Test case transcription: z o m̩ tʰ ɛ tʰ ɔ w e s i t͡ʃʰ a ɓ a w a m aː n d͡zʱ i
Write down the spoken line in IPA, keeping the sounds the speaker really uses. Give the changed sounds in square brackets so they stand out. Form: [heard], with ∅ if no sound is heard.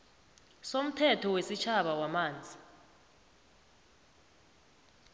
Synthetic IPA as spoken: [s] o m̩ tʰ ɛ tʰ ɔ w e s i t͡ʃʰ a ɓ a w a m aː n d͡zʱ i